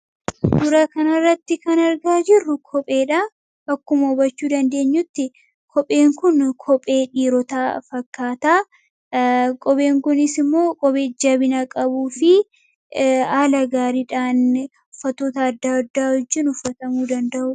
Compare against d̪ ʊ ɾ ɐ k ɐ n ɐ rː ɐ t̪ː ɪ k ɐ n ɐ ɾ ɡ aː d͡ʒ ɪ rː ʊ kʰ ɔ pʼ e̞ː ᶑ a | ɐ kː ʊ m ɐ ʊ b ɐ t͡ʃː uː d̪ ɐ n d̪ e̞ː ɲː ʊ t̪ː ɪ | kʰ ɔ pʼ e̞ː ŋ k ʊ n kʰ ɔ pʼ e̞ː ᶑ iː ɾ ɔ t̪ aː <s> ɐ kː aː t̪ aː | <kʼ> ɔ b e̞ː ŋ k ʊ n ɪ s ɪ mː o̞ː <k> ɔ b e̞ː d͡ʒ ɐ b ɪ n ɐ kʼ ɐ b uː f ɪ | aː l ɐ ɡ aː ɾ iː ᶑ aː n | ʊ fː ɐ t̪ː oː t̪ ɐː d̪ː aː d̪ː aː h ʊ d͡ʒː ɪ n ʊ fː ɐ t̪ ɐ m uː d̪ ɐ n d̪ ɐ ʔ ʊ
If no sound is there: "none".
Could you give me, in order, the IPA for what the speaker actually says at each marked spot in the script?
f, kʼ, kʼ

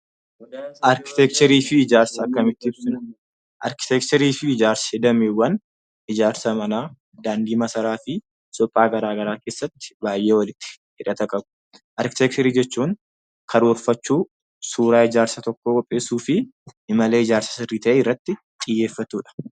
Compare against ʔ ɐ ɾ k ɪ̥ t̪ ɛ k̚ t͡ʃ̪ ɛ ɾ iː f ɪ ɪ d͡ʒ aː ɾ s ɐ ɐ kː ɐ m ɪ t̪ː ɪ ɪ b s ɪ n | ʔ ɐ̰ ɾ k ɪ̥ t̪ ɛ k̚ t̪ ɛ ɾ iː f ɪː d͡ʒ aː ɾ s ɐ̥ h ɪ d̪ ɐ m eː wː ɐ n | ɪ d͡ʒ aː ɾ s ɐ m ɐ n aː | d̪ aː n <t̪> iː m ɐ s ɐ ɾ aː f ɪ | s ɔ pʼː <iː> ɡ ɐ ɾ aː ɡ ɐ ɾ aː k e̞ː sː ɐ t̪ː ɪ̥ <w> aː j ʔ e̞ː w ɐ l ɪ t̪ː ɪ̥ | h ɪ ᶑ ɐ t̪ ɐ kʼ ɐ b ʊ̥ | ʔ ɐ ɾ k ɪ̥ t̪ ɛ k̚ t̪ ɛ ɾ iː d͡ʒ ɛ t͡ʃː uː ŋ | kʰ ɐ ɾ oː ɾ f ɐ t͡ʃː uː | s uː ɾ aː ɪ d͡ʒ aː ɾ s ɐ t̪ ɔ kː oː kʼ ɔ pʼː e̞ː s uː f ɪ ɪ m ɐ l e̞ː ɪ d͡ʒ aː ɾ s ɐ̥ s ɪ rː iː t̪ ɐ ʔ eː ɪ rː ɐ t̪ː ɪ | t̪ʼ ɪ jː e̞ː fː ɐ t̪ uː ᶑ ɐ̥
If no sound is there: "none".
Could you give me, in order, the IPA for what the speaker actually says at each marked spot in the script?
d̪, aː, b

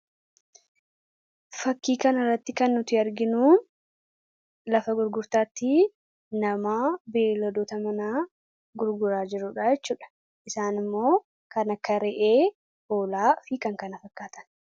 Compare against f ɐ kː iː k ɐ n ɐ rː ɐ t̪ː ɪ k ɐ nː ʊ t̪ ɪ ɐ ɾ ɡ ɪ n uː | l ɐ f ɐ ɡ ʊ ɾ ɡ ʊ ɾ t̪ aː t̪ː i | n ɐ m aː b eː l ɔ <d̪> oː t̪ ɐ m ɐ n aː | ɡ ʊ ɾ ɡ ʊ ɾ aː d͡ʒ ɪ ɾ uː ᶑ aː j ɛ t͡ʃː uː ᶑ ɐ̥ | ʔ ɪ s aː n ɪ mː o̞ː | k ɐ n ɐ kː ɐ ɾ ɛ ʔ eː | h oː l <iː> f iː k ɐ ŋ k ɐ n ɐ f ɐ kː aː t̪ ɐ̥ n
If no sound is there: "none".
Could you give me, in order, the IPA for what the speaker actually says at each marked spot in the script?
d̪, aː

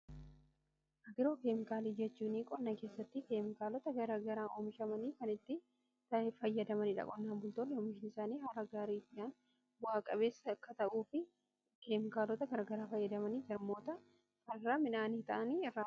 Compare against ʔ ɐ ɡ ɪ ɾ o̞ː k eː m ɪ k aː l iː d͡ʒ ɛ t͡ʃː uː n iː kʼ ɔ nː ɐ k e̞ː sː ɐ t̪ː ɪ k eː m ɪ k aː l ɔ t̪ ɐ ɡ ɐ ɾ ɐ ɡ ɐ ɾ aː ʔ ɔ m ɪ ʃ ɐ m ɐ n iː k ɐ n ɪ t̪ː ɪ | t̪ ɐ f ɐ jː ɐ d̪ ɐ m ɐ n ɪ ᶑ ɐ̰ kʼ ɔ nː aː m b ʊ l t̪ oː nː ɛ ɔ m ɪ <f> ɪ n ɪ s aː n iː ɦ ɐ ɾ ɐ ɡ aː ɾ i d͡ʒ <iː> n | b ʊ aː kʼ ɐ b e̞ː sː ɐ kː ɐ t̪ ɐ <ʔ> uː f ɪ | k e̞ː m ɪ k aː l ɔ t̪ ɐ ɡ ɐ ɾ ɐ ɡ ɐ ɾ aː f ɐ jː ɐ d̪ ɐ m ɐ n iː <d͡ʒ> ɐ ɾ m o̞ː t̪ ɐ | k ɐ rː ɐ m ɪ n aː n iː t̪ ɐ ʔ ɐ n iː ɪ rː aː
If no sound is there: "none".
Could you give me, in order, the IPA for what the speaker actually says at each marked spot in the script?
ʃ, aː, ʔ, d͡ʒ

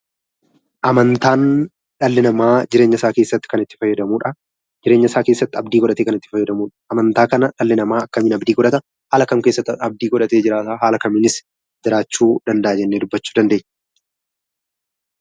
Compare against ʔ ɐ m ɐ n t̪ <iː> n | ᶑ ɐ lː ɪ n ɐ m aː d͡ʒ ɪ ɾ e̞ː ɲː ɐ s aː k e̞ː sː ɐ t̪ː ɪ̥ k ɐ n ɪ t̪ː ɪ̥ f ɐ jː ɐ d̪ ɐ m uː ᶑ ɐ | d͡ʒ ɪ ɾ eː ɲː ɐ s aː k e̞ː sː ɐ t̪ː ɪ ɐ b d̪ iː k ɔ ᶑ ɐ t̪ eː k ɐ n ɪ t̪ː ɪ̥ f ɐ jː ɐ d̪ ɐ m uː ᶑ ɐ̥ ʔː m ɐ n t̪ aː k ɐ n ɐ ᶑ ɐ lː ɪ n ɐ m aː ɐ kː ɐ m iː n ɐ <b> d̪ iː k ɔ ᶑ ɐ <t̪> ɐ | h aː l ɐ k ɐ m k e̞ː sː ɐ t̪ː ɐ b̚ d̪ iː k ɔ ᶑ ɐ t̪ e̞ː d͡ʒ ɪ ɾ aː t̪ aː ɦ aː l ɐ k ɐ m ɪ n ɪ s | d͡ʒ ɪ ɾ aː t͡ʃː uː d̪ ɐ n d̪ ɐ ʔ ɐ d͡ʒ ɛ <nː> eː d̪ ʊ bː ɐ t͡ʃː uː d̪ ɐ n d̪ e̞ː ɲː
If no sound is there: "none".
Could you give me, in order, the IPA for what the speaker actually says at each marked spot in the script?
aː, b, t̪, nː

